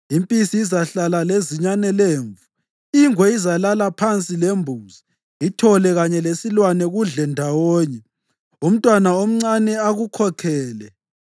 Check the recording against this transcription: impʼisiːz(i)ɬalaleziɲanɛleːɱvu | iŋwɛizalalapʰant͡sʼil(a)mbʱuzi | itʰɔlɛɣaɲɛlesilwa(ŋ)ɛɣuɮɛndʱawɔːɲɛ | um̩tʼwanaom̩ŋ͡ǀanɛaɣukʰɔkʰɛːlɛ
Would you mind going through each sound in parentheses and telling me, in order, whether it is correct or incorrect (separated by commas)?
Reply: incorrect, incorrect, incorrect